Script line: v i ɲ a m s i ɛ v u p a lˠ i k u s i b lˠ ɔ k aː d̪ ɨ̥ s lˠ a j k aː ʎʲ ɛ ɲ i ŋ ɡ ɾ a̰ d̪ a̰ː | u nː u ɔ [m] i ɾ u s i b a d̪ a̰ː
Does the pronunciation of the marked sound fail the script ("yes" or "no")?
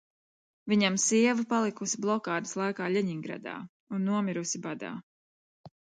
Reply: no